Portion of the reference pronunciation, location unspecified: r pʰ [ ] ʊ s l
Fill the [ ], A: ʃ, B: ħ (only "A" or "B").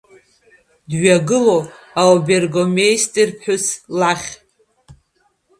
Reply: B